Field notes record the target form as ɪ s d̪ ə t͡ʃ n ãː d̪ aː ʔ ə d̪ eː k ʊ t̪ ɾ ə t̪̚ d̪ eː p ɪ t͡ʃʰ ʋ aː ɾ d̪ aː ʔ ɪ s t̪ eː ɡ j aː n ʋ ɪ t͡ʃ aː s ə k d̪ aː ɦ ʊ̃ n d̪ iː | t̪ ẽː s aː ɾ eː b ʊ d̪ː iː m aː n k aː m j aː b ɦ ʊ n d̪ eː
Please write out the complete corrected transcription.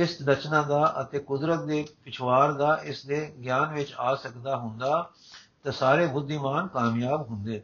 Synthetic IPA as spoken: ɪ s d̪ ə t͡ʃ n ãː d̪ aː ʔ ə t̪ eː k ʊ d̪ ɾ ə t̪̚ d̪ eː p ɪ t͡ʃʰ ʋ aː ɾ d̪ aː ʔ ɪ s d̪ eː ɡ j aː n ʋ ɪ t͡ʃ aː s ə k d̪ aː ɦ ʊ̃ n d̪ aː | t̪ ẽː s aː ɾ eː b ʊ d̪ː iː m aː n k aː m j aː b ɦ ʊ n d̪ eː